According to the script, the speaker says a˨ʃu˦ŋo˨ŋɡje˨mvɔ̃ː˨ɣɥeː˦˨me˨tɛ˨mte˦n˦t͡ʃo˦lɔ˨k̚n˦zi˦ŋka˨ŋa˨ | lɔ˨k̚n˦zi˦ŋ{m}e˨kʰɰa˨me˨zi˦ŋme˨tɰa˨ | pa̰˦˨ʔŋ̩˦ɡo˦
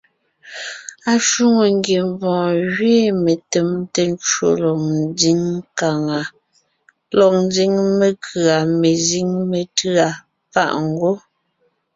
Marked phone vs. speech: correct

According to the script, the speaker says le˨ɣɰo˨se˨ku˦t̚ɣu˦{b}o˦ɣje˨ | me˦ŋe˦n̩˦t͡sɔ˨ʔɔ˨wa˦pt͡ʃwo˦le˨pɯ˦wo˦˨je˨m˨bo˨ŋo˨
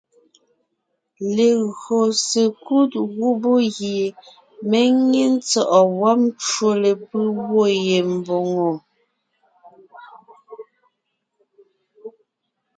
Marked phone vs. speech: correct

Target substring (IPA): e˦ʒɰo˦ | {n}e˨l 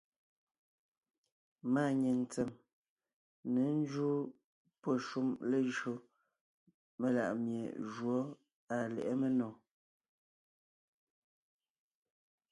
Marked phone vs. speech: incorrect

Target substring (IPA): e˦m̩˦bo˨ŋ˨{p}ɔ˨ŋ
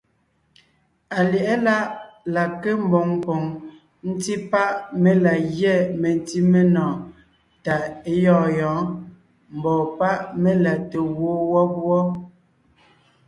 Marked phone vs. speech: correct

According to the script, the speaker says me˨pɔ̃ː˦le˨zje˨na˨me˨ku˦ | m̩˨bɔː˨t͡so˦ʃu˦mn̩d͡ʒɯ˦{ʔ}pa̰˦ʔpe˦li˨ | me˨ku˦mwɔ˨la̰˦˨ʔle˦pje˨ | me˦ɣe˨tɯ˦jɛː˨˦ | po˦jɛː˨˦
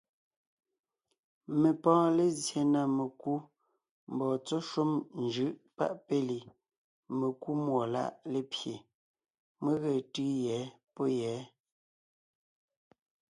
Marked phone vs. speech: correct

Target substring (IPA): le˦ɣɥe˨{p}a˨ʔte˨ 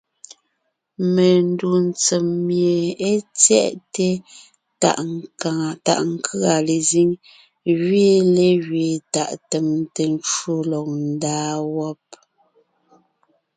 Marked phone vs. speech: incorrect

